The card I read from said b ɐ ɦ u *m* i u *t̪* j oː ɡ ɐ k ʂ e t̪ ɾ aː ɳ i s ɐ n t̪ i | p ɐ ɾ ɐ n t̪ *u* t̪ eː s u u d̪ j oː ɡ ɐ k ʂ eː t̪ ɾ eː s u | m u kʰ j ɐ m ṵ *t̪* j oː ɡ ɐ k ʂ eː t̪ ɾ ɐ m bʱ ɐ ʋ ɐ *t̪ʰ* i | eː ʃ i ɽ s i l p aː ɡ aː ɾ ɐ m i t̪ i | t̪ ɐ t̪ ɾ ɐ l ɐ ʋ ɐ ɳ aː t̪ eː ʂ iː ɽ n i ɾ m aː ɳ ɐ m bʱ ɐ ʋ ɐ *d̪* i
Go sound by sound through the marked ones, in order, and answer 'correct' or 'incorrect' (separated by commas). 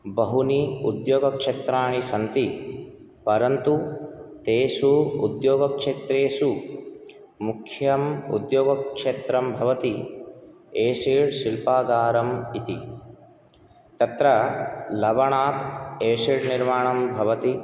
incorrect, incorrect, correct, incorrect, incorrect, incorrect